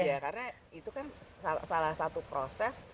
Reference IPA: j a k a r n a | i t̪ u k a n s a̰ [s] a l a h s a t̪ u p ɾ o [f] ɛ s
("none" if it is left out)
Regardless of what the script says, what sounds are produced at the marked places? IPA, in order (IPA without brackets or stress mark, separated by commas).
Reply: s, s